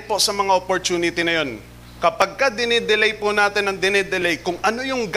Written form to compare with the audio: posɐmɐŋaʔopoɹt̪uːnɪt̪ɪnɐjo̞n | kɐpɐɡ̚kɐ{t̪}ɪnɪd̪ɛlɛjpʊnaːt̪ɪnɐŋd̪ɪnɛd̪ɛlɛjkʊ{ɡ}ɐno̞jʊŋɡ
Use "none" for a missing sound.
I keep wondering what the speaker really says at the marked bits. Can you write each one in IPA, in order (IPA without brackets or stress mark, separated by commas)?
d̪, ŋ